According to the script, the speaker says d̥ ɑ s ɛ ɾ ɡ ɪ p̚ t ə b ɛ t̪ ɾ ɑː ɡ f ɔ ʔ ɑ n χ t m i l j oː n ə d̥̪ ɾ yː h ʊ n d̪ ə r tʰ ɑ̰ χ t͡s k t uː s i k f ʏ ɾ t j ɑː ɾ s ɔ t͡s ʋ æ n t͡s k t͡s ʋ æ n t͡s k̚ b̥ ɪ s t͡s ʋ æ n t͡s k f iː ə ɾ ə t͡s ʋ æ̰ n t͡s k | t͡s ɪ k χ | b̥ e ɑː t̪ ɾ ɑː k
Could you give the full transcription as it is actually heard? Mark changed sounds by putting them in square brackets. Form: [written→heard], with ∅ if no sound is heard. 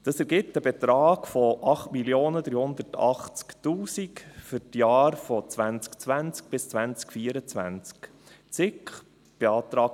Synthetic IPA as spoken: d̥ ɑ s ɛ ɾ ɡ ɪ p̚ t ə b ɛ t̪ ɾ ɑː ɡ f ɔ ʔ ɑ [n→∅] χ t m i l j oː n ə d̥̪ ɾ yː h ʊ n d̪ ə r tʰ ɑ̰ χ t͡s k t uː s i k f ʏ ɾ t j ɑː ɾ [s→f] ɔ t͡s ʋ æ n t͡s k t͡s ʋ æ n t͡s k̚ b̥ ɪ s t͡s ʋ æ n t͡s k f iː ə ɾ ə t͡s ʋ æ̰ n t͡s k | t͡s ɪ k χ | b̥ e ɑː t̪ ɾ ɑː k